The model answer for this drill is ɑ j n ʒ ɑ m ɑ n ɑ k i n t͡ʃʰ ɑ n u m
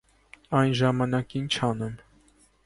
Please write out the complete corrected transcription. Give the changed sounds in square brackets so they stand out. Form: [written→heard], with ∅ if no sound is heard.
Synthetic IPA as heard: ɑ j n ʒ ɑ m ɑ n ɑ k i n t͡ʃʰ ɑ n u m